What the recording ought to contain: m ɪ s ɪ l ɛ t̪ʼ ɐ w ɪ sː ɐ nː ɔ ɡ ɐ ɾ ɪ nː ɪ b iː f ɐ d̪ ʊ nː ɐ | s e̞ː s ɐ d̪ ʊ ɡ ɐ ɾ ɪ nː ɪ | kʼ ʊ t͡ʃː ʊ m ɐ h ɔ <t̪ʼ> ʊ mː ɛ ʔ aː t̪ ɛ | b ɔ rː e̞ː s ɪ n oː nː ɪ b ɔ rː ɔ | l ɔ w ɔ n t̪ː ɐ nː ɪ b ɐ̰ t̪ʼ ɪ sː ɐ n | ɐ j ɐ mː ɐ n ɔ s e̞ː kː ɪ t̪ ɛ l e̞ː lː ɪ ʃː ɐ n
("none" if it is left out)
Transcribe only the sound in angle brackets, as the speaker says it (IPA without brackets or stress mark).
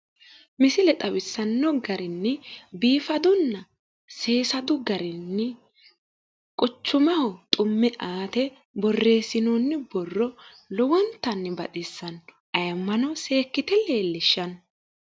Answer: t̪ʼ